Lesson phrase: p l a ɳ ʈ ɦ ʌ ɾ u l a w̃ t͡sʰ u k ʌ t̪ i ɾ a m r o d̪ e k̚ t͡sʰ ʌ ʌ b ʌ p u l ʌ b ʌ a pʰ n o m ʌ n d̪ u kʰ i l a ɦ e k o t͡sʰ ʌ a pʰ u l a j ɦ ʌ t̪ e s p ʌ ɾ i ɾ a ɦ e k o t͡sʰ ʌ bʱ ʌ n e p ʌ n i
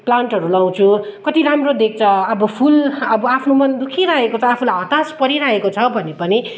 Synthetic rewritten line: p l a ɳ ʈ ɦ ʌ ɾ u l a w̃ t͡sʰ u k ʌ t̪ i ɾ a m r o d̪ e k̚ t͡sʰ ʌ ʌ b ʌ pʰ u l ʌ b ʌ a pʰ n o m ʌ n d̪ u kʰ i ɾ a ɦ e k o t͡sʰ ʌ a pʰ u l a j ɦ ʌ t̪ a s p ʌ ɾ i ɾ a ɦ e k o t͡sʰ ʌ bʱ ʌ n e p ʌ n i